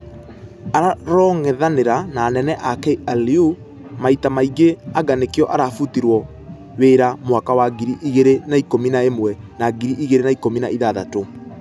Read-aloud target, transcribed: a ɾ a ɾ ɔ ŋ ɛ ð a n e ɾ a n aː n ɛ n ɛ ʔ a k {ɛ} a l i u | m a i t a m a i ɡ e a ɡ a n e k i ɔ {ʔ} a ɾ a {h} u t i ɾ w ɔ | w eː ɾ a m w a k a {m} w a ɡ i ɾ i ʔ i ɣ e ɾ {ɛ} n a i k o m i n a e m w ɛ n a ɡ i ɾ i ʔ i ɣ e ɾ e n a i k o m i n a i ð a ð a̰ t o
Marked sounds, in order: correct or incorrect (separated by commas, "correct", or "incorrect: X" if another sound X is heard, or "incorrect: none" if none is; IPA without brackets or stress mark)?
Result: correct, correct, incorrect: f, incorrect: none, incorrect: e